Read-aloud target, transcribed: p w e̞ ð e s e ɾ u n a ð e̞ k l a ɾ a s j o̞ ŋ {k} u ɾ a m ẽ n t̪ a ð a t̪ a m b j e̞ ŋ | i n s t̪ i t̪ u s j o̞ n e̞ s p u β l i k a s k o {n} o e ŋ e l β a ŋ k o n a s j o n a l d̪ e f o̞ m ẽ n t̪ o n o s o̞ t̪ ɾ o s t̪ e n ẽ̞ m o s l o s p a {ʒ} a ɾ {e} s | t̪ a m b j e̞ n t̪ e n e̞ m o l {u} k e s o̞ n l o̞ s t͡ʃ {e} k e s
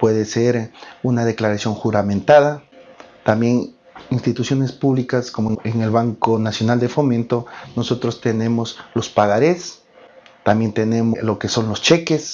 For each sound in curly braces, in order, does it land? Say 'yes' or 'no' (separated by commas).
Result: no, no, no, yes, no, yes